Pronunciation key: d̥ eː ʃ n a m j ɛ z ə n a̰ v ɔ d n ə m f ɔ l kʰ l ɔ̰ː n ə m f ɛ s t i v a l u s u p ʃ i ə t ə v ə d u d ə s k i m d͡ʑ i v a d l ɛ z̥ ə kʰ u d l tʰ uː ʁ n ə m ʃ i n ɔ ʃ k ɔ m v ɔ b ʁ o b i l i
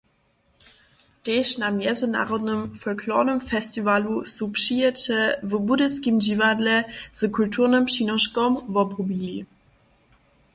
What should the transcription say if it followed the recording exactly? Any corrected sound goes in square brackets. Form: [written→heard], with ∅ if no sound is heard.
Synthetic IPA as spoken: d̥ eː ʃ n a m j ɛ z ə n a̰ [v→ʁ] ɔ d n ə m f ɔ l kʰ l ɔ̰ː n ə m f ɛ s t i v a l u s u p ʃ i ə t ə v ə [d→b] u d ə s k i m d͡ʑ i v a d l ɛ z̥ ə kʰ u [d→∅] l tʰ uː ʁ n ə m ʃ i n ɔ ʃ k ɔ m v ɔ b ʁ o b i l i